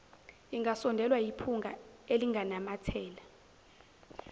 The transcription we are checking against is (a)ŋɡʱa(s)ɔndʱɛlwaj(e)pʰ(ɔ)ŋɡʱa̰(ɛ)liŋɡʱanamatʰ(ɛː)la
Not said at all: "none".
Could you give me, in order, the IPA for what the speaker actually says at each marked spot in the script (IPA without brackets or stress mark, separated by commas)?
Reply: i, s, i, u, e, ɛː